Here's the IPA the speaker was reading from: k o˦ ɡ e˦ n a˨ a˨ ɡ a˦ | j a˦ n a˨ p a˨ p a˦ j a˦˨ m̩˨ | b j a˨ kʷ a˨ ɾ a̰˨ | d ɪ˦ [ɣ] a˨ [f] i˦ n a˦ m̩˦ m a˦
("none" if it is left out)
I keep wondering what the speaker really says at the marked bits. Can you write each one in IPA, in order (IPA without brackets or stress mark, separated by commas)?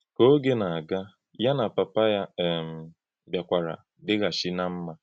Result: ɣ, ʃ